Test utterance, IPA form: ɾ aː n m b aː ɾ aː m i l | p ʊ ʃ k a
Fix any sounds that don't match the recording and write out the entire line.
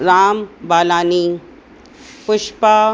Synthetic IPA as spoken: ɾ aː m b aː l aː n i | p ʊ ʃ p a